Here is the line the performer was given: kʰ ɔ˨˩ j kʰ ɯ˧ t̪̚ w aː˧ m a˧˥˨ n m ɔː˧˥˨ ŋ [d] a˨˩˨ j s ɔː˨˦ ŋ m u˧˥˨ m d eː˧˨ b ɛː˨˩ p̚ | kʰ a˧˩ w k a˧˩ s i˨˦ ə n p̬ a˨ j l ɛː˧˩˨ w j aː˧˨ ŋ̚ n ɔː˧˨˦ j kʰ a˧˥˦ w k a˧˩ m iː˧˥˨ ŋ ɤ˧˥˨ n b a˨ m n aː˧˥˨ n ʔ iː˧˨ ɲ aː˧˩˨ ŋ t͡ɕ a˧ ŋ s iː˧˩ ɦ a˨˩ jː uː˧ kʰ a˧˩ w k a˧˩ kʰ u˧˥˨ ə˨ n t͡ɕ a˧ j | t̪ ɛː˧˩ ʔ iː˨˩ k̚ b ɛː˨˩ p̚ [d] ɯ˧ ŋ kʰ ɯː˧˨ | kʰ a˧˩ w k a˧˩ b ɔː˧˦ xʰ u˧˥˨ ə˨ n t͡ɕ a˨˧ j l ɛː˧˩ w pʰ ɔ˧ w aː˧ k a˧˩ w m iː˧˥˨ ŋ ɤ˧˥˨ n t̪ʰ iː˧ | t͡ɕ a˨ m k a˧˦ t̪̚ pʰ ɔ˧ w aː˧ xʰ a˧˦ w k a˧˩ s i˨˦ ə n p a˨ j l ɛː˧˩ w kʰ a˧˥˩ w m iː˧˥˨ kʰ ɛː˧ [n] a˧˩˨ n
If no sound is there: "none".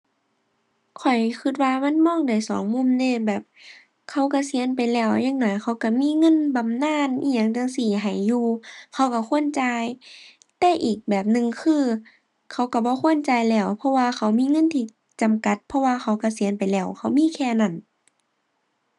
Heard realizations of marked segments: d, n, n

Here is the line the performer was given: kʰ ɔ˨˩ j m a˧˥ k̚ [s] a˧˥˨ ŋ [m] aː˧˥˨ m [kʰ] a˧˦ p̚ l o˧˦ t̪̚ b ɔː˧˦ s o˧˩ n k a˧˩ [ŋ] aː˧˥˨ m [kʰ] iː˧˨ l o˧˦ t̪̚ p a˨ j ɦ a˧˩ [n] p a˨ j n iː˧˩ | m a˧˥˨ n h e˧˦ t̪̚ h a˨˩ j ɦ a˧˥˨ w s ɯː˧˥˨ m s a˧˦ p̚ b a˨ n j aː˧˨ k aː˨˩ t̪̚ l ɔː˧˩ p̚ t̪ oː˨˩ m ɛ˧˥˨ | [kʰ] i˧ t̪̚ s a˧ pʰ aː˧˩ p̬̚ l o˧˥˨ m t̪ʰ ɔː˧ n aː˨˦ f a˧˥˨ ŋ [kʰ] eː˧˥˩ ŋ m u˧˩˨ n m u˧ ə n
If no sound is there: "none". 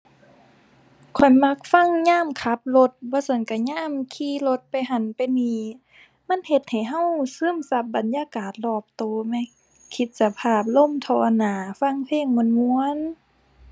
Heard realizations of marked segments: f, ɲ, kʰ, ɲ, kʰ, n, kʰ, pʰ

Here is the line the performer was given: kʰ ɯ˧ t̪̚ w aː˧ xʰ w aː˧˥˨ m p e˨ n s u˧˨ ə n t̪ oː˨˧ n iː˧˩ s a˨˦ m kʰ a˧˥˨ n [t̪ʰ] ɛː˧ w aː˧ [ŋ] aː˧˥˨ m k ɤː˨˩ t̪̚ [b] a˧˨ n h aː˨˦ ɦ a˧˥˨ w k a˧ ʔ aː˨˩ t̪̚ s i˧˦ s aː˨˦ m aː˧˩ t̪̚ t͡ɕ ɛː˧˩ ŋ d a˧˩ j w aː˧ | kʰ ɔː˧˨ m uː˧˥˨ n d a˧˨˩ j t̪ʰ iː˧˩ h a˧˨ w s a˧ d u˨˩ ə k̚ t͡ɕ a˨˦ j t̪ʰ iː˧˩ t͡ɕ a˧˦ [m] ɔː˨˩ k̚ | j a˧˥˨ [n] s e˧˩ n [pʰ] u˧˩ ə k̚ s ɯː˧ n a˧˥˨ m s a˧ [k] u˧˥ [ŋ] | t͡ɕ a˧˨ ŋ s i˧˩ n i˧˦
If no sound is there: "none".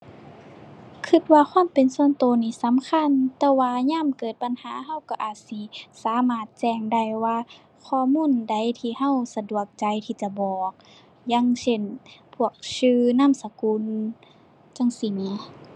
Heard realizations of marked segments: t̪, ɲ, b, b, ŋ, pʰ, k, n

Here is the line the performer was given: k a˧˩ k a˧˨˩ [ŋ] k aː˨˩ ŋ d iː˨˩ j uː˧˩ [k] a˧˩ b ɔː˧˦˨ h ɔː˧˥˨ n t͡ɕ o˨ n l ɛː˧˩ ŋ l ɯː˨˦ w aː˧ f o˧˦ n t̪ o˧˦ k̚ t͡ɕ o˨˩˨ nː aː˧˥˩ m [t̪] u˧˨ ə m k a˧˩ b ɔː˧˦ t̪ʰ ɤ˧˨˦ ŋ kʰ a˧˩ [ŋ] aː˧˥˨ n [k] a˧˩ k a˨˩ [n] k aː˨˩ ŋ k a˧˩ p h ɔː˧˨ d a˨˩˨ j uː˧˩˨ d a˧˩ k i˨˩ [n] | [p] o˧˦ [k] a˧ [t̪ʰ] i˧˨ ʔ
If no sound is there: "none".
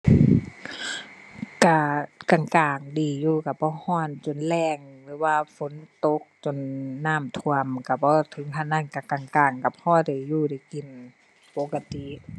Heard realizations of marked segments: ŋ, k, t̪ʰ, n, k, ŋ, n, p, k, t̪

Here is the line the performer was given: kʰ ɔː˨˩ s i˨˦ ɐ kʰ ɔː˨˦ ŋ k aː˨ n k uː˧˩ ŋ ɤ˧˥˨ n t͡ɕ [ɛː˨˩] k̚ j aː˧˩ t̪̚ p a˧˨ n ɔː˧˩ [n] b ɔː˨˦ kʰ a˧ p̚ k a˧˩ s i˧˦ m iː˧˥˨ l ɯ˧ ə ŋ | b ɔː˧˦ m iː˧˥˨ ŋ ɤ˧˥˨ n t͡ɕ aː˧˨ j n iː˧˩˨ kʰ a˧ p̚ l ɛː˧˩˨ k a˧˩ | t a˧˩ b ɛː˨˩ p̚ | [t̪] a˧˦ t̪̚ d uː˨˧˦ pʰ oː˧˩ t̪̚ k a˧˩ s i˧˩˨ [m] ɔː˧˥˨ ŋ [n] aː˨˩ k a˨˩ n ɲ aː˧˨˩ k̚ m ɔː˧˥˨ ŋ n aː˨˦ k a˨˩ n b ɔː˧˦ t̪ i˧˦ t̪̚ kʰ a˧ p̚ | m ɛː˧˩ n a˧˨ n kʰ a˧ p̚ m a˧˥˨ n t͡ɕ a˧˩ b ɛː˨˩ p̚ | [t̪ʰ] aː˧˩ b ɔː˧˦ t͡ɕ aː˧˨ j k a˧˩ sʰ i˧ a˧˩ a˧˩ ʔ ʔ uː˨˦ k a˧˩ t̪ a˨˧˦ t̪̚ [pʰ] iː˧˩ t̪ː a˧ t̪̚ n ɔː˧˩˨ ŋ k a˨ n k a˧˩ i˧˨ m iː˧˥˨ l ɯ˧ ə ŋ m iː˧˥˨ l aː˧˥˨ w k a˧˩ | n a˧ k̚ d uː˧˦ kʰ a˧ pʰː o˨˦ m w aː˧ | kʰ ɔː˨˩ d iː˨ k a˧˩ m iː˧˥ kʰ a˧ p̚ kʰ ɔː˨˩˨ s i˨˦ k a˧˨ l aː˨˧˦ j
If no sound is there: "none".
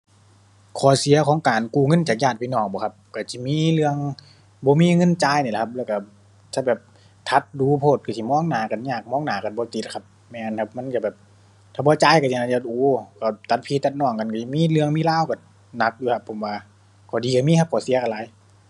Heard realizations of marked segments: aː˨˩, ŋ, t̪ʰ, m, n, t̪ʰ, pʰ

